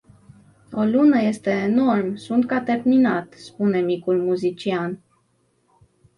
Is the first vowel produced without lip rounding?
no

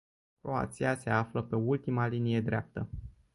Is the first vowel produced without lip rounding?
no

